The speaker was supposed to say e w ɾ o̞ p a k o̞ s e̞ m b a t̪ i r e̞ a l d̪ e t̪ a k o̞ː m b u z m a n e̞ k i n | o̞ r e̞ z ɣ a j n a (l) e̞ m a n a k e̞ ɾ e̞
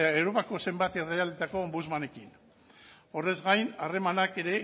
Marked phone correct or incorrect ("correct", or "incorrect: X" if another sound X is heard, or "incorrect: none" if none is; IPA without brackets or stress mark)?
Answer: incorrect: r